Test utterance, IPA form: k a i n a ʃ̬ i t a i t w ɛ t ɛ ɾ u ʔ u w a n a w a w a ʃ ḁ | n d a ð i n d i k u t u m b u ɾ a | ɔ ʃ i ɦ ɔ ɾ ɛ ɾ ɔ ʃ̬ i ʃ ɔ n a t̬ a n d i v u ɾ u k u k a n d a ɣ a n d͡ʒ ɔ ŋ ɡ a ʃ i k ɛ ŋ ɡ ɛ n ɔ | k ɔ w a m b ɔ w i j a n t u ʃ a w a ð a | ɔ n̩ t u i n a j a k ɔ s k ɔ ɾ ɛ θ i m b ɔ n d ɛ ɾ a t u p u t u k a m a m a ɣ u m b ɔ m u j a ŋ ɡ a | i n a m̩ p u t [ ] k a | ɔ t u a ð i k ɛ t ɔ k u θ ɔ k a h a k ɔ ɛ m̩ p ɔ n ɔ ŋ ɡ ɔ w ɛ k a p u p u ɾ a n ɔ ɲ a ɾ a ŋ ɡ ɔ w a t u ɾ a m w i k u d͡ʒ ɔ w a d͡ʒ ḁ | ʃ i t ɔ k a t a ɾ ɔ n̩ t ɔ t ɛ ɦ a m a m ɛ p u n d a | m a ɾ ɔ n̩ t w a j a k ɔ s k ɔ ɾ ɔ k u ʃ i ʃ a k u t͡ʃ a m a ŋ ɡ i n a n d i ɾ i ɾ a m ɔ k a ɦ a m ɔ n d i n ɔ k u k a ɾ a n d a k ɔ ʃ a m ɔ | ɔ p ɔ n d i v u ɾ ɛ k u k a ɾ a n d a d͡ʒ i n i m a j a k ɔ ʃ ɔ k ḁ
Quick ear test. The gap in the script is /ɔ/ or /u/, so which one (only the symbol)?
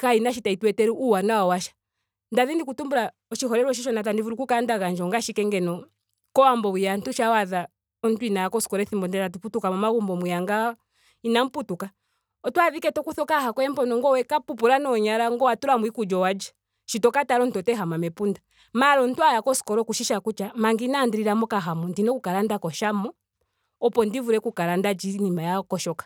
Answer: u